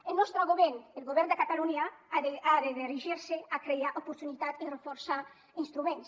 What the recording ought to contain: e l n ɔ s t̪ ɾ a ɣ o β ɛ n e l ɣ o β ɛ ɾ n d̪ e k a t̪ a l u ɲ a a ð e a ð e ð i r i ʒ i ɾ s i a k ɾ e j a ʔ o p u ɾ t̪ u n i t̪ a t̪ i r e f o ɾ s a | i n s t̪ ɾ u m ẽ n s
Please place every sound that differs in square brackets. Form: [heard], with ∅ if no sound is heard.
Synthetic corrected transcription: e l n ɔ s t̪ ɾ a ɣ o β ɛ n e l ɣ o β ɛ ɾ n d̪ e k a t̪ a l u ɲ a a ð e a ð e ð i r i ʒ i ɾ s [e] a k ɾ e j a ʔ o p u ɾ t̪ u n i t̪ a t̪ i r e f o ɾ s a | i n s t̪ ɾ u m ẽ n s